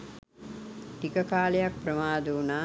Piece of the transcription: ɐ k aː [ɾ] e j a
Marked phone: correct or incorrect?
incorrect: l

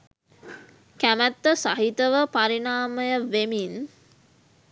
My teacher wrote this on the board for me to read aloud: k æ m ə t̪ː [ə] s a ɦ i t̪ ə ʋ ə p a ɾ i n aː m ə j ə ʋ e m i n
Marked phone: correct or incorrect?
correct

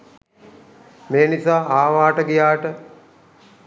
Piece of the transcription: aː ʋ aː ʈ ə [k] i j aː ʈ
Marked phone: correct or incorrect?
incorrect: ɡ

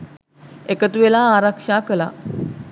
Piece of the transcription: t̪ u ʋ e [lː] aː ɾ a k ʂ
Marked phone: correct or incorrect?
incorrect: l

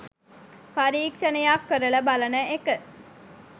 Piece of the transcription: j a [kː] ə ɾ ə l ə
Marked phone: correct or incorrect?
correct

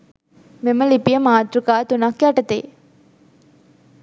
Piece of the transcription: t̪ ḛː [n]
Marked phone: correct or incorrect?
incorrect: none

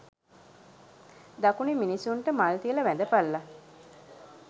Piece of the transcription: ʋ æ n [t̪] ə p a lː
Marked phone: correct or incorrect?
incorrect: d̪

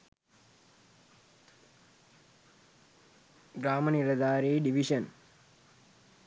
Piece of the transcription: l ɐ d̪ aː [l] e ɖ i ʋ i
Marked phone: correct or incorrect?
incorrect: ɾ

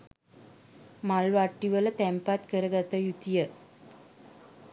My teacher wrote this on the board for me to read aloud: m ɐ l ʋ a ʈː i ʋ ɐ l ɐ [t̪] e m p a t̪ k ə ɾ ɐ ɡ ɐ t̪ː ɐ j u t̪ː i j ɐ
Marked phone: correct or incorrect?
correct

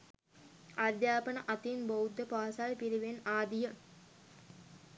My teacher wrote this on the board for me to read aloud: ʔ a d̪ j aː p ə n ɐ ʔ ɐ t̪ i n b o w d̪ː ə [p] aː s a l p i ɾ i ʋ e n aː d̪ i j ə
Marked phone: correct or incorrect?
correct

